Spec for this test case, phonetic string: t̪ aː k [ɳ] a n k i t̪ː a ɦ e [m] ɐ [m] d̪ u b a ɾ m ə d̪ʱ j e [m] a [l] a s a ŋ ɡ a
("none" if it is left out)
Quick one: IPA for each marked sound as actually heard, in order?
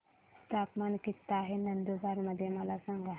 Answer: m, n, n, m, l

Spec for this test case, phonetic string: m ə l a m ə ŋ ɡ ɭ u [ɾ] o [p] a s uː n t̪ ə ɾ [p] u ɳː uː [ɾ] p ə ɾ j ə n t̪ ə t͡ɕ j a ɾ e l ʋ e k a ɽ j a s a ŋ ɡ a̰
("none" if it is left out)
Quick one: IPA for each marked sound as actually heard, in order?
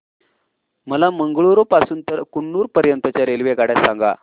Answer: ɾ, p, k, ɾ

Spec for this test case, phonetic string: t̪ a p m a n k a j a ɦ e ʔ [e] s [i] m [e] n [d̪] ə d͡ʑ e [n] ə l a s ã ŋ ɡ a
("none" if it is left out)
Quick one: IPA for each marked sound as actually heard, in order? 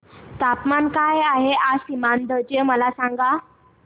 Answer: a, i, a, d̪, m

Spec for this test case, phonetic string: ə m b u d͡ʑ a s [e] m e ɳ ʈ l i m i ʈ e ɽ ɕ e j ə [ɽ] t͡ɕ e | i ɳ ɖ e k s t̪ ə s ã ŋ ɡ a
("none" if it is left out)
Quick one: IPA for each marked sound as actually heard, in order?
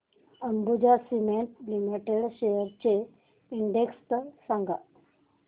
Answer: i, ɾ

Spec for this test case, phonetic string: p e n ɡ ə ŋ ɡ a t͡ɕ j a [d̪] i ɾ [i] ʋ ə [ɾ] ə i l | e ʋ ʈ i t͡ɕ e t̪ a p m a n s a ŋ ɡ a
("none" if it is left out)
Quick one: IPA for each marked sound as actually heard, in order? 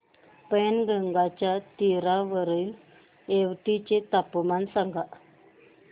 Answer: t̪, a, ɾ

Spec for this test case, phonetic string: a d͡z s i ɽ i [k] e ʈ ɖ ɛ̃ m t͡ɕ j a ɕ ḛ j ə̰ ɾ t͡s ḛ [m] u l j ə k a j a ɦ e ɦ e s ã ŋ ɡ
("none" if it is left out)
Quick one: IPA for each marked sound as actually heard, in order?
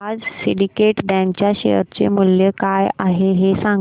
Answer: k, m

